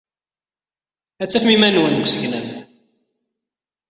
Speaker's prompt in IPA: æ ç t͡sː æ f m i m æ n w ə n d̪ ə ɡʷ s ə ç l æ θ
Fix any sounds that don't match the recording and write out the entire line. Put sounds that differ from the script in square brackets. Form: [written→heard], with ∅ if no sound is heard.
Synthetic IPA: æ [ç→∅] t͡sː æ f m i m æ n w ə n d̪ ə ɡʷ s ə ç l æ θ

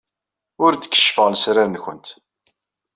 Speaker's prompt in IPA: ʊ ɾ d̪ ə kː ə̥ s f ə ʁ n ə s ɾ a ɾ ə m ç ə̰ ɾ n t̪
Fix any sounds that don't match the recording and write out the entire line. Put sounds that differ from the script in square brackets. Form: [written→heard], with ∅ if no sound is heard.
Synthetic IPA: ʊ ɾ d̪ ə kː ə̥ [s→ʃ] f ə ʁ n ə s ɾ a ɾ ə [m→n] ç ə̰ [ɾ→∅] n t̪

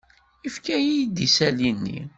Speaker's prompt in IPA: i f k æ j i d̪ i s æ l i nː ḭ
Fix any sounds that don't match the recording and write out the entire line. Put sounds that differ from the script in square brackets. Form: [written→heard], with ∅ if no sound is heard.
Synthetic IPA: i f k æ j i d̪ i s æ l i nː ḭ

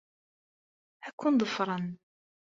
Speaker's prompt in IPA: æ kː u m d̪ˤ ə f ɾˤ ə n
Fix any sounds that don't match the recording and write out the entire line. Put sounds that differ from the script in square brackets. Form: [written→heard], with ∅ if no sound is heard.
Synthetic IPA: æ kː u [m→n] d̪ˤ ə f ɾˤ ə n

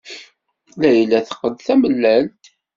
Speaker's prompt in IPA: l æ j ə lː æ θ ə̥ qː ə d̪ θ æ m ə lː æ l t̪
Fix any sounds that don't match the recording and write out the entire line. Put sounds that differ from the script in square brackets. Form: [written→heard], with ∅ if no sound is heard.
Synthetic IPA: l æ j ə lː æ θ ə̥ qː ə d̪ θ æ m ə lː æ l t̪

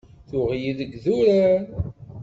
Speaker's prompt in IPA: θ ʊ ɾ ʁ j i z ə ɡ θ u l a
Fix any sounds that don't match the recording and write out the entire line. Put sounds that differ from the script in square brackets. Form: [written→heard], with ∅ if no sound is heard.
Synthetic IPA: θ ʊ [ɾ→∅] ʁ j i [z→ð] ə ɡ [θ→ð] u [l→ɾ] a

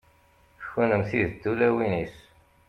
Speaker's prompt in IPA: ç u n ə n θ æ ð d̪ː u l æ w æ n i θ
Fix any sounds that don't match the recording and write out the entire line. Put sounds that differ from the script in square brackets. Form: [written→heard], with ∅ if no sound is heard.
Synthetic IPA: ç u n ə [n→m] θ [æ→i] ð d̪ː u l æ w [æ→i] n i [θ→s]

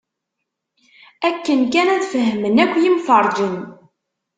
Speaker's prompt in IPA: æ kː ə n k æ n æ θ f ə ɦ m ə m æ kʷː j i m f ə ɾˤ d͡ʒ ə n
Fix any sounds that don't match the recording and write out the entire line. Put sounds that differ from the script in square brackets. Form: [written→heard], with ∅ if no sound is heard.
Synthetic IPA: æ kː ə n k æ n æ [θ→ð] f ə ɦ m ə [m→n] æ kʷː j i m f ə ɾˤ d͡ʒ ə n

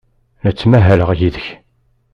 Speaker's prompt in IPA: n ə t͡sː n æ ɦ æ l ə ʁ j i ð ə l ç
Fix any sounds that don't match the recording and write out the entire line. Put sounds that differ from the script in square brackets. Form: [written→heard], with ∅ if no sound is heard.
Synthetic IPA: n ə t͡sː [n→m] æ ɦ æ l ə ʁ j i ð ə [l→∅] ç

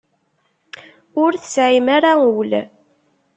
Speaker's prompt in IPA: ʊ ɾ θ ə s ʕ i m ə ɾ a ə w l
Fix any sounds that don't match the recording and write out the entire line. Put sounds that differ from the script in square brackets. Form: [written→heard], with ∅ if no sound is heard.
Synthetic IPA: ʊ ɾ θ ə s ʕ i m [ə→a] ɾ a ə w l

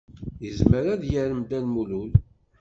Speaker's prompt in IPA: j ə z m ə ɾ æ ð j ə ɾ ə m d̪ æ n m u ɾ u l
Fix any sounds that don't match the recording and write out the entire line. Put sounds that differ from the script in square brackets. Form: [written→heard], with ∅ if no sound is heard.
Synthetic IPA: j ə z m ə ɾ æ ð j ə ɾ ə m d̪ æ n m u [ɾ→l] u l

